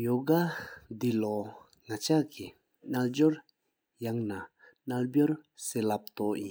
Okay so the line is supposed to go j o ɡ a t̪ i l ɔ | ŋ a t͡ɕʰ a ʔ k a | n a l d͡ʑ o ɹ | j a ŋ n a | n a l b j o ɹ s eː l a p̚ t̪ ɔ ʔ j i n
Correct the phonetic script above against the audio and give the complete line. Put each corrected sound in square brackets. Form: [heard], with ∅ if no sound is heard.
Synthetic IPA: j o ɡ a [d̪] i l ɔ | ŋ a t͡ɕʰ a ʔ k [i] | n a l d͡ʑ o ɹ | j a ŋ n a | n a l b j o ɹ s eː l a p̚ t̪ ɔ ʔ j i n